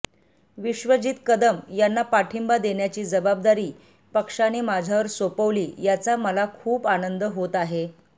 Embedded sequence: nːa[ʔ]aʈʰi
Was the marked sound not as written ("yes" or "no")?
yes